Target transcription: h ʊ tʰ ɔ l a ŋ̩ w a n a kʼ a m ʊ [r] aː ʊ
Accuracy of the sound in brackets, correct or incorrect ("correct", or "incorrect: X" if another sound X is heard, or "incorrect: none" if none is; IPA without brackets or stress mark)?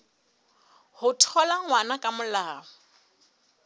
incorrect: l